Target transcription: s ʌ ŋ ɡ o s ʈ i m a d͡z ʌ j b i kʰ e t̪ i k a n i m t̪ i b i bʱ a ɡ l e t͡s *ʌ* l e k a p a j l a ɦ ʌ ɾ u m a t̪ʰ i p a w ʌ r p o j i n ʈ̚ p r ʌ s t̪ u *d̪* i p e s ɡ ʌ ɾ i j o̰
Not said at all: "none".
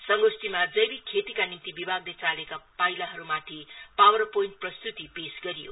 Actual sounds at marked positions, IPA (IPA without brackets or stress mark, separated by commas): a, t̪